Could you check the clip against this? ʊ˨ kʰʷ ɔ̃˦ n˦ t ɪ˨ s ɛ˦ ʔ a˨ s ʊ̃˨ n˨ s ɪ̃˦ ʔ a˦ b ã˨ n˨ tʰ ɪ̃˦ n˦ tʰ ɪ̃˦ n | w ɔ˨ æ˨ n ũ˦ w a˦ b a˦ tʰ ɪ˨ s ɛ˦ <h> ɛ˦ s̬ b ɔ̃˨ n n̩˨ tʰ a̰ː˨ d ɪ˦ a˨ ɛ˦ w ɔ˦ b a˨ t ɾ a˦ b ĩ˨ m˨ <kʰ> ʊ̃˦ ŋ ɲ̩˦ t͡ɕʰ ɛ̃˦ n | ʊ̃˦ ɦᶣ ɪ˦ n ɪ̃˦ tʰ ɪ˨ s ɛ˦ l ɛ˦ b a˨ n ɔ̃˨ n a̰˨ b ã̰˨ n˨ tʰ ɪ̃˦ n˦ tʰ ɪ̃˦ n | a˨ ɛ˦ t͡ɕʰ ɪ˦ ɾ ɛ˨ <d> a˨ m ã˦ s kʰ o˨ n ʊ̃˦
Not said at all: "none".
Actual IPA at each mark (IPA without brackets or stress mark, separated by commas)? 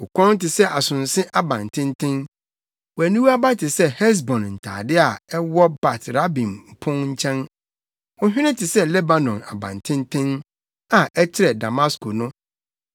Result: h, pʰ, d